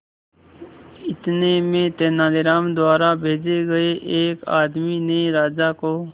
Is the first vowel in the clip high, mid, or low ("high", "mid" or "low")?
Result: high